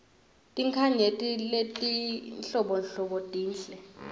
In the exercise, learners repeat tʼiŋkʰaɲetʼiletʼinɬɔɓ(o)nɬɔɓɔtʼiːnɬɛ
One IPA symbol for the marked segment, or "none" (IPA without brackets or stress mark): ɔ